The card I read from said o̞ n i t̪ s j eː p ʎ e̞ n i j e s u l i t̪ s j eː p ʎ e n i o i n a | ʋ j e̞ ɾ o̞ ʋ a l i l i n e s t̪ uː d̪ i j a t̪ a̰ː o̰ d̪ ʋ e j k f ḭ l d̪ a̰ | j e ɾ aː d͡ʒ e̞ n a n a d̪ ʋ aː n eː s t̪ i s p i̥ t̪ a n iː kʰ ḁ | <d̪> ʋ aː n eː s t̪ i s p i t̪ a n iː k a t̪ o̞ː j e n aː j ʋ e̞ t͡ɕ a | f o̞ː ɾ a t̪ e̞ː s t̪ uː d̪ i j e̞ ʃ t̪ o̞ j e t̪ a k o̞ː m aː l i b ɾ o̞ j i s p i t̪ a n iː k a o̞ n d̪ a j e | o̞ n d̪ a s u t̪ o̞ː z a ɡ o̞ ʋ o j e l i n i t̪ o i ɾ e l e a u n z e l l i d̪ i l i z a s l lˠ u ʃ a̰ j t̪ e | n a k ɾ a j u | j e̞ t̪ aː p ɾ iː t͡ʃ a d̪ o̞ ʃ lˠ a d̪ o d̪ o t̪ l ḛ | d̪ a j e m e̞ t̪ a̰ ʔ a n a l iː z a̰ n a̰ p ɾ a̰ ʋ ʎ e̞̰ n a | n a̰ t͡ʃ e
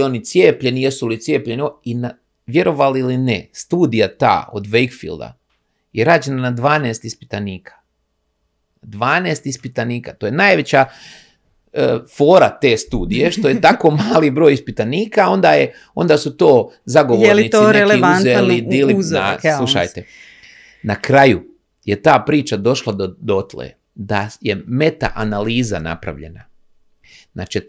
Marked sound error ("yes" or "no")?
no